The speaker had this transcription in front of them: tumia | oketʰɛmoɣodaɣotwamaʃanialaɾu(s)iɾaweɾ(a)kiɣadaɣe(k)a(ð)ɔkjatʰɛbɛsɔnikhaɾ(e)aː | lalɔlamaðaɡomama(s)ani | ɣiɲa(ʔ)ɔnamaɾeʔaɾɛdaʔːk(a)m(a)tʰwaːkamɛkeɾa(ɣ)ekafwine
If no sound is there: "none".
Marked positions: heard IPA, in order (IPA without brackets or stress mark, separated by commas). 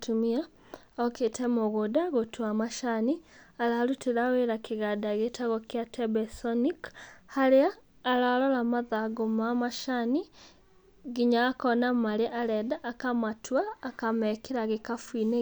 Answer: t, a, t, ɣ, e, ʃ, k, a, a, ɣ